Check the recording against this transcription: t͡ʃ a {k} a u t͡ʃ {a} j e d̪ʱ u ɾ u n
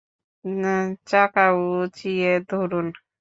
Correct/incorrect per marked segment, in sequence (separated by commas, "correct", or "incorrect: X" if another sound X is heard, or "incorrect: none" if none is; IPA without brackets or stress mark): correct, incorrect: i